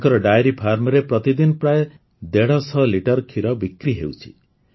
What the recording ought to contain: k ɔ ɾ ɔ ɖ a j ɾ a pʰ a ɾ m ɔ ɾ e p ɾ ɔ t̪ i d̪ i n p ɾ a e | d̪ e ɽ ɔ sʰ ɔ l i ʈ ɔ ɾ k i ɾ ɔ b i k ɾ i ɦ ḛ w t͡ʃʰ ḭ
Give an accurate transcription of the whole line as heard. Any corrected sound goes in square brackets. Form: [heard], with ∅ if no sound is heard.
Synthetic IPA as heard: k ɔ ɾ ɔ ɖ a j ɾ [i] pʰ a ɾ m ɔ ɾ e p ɾ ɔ t̪ i d̪ i n p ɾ a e | d̪ e ɽ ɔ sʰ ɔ l i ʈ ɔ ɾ [kʰ] i ɾ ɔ b i k ɾ i ɦ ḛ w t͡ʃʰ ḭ

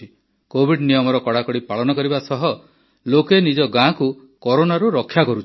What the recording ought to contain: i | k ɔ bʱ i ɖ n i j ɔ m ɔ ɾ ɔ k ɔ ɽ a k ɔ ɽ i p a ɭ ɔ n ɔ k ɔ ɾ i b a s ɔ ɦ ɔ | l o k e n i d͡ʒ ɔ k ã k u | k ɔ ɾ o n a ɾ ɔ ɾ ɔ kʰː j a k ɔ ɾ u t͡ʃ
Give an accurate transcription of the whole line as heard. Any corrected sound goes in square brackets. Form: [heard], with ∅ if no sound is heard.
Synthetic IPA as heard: i | k [o] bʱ i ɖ n i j ɔ m ɔ ɾ ɔ k ɔ ɽ a k ɔ ɽ i p a ɭ ɔ n ɔ k ɔ ɾ i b a s ɔ ɦ ɔ | l o k e n i d͡ʒ ɔ [ɡ] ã k u | k ɔ ɾ o n a ɾ [u] ɾ ɔ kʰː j a k ɔ ɾ u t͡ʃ

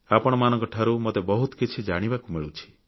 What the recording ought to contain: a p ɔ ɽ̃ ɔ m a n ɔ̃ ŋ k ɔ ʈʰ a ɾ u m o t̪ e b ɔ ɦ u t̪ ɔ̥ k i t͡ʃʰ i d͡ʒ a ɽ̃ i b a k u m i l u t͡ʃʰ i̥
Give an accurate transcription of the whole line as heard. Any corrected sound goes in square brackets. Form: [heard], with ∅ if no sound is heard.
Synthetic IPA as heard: a p ɔ ɽ̃ ɔ m a n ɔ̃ ŋ k ɔ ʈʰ a ɾ u m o t̪ e b ɔ ɦ u t̪ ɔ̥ k i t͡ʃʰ i d͡ʒ a ɽ̃ i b a k u m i [ɭ] u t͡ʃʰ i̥

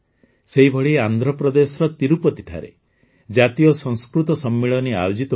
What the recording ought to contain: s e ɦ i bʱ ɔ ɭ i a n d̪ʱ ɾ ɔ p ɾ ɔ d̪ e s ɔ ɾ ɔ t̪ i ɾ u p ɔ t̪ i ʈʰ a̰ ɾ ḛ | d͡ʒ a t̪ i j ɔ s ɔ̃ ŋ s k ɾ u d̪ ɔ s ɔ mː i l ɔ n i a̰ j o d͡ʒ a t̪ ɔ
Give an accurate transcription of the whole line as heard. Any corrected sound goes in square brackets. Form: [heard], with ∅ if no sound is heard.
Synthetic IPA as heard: s e ɦ i bʱ ɔ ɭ i a n d̪ʱ ɾ ɔ p ɾ ɔ d̪ e s ɔ ɾ ɔ t̪ i ɾ u p ɔ t̪ i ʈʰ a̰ ɾ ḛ | d͡ʒ a t̪ i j ɔ s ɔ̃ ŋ s k ɾ u [t̪] ɔ s ɔ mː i [ɭ] ɔ n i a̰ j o d͡ʒ [i] t̪ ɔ

